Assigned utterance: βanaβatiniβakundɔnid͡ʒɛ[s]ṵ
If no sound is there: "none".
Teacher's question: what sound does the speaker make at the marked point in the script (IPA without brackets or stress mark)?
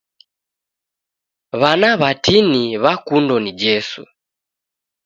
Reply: s